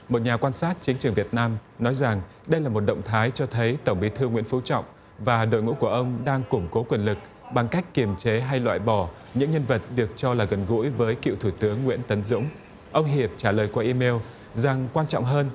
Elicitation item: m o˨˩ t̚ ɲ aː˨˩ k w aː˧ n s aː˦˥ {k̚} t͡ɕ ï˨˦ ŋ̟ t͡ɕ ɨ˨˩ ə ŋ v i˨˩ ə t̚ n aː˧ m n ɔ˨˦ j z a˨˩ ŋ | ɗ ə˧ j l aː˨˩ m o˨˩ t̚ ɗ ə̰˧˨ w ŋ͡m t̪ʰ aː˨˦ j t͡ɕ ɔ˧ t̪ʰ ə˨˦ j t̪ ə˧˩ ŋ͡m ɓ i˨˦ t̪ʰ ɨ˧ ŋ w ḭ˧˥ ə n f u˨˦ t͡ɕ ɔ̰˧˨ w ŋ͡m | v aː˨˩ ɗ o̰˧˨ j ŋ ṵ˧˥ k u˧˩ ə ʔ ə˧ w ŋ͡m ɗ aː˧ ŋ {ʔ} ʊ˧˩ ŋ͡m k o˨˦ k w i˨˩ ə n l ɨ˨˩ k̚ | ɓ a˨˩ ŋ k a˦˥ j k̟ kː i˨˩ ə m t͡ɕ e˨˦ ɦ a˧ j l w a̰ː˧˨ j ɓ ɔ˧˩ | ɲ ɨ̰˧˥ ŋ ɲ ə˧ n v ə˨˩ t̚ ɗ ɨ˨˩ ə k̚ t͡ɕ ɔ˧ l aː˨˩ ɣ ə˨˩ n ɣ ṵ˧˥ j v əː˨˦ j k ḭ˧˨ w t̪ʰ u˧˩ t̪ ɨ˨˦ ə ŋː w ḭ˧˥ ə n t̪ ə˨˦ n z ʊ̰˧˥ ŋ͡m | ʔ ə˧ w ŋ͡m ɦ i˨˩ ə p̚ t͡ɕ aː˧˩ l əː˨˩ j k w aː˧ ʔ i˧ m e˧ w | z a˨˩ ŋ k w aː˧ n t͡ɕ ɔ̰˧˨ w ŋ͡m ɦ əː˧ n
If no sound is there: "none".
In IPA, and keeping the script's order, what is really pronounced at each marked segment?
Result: t̚, k

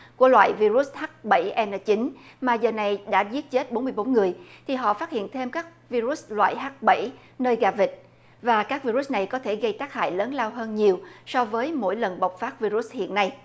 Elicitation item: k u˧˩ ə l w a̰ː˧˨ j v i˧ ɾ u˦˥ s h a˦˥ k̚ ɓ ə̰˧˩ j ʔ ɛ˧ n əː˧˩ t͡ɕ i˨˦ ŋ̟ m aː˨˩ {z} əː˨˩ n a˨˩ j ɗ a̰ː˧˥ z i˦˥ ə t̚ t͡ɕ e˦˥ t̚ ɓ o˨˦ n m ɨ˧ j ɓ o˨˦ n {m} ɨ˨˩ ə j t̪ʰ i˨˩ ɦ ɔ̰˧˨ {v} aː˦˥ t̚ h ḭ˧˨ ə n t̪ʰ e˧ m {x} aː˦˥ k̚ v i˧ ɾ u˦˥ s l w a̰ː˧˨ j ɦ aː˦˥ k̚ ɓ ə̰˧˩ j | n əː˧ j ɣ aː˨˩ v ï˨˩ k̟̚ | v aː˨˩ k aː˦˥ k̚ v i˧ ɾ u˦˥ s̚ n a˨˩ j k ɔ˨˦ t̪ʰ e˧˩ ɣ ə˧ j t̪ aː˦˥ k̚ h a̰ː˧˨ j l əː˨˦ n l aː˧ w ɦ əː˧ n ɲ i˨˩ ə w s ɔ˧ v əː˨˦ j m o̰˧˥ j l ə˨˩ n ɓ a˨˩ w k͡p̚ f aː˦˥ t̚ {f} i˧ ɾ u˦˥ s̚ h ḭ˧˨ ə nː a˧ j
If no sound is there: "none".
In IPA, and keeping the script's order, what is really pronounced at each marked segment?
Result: z, ŋ, f, k, v

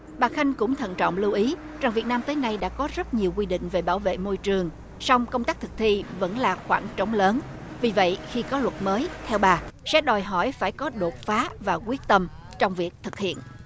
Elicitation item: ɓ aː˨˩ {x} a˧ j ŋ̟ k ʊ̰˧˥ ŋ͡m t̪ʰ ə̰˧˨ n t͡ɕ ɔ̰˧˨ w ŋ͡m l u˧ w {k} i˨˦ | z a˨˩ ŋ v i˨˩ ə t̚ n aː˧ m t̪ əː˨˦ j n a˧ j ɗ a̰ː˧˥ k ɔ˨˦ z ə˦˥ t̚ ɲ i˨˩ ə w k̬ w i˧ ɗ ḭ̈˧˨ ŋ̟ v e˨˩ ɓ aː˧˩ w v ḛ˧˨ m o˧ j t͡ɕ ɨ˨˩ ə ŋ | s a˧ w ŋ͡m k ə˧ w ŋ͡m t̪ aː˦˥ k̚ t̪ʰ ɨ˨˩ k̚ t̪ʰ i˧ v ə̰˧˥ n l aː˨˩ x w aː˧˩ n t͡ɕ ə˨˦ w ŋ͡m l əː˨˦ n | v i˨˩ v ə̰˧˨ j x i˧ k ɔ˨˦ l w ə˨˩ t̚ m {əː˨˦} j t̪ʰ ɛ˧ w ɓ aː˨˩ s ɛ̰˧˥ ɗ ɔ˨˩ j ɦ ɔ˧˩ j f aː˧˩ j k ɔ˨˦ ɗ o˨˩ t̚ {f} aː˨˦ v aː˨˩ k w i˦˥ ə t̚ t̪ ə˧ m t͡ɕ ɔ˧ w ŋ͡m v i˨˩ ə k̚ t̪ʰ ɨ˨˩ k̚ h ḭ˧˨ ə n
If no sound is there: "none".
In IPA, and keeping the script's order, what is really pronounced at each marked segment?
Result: x, ʔ, əː˨˦, f

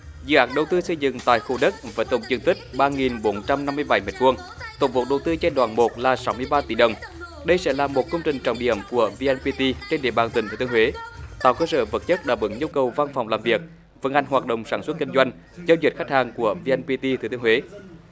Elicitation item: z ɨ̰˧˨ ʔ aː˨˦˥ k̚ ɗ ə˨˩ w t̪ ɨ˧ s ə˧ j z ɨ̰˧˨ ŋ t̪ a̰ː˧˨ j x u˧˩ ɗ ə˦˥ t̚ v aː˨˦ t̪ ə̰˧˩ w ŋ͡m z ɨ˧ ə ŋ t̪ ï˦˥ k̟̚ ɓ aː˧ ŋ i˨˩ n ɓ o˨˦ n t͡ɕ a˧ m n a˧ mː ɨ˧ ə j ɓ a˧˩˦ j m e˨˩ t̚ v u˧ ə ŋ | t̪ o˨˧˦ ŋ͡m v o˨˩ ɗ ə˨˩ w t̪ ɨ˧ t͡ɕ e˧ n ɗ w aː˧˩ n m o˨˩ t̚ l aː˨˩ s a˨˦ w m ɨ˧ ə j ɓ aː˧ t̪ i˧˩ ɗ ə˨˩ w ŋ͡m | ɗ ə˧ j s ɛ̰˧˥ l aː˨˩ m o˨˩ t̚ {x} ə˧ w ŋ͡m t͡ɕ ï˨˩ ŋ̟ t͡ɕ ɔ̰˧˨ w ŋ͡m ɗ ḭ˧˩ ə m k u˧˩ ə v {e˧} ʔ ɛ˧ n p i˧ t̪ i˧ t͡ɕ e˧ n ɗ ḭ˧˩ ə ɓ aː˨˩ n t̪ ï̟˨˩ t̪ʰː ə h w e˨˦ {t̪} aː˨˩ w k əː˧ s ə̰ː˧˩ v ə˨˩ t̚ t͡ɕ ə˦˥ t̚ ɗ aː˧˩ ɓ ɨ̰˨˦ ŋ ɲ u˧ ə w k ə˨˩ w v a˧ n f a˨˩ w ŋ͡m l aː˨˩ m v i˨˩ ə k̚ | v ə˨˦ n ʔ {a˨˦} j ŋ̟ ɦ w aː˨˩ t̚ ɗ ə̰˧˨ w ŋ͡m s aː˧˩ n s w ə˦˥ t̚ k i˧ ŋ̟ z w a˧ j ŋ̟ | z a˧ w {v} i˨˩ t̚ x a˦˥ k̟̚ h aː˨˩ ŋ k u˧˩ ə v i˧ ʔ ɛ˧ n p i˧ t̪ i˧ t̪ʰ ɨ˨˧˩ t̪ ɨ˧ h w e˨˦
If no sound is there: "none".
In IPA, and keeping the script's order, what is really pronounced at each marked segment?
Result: k, i˧, t̪, a˨˩, z

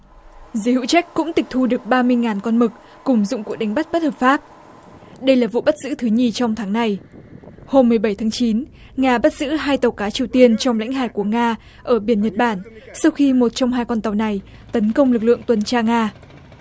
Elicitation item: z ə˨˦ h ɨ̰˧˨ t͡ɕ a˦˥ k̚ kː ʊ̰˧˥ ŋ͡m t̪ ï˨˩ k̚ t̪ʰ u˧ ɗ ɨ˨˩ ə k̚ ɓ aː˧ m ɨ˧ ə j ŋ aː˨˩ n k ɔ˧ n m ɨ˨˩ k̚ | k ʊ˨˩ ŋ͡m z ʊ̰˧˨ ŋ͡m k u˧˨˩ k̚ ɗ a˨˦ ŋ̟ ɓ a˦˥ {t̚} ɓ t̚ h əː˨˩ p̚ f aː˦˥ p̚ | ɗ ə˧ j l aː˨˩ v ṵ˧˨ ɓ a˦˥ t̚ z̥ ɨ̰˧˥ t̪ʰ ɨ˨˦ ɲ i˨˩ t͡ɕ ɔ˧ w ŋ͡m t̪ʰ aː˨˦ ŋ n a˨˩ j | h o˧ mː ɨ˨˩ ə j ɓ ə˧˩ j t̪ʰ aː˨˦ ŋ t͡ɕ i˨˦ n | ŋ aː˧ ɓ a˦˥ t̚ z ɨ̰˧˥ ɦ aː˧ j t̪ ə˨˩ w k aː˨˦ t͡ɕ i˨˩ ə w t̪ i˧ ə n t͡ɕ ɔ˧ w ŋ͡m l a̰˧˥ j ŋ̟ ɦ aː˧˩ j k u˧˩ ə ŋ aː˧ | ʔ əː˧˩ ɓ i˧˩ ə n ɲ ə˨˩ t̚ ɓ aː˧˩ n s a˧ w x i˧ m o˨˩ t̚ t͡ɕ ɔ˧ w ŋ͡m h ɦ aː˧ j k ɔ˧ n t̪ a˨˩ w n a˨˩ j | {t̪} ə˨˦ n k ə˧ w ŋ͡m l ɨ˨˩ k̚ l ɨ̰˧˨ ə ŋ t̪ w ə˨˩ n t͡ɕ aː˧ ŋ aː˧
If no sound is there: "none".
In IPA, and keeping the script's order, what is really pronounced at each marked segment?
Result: t̚, t̪

